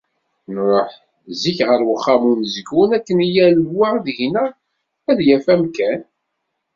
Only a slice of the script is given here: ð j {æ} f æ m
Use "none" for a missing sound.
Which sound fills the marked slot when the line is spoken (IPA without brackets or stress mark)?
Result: æ